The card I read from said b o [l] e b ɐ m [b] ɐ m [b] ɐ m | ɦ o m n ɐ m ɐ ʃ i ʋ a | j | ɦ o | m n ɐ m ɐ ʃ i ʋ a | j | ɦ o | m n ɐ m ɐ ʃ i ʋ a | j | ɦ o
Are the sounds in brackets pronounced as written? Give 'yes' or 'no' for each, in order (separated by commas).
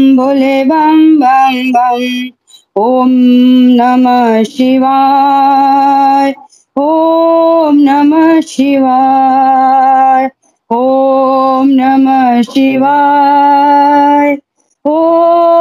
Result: yes, yes, yes